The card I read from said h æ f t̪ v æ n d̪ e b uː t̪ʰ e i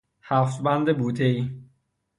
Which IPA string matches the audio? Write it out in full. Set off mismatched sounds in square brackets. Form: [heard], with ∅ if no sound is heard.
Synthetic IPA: h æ f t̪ [b] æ n d̪ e b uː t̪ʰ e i